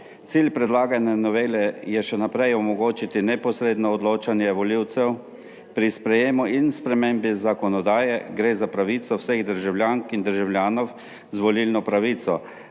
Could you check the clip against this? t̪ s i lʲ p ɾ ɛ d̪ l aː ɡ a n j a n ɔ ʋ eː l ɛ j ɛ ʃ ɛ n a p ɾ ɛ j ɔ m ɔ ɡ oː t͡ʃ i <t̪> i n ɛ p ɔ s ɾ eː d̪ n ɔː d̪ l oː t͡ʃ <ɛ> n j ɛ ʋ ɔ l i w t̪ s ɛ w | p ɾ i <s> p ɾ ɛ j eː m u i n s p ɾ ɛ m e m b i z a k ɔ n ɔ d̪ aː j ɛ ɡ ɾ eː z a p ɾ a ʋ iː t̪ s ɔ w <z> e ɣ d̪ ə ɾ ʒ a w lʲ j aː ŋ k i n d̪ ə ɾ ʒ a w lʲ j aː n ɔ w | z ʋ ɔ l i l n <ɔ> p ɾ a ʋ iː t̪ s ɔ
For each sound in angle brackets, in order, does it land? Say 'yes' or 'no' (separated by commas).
yes, no, yes, no, yes